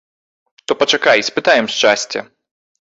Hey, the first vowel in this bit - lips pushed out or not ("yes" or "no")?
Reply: yes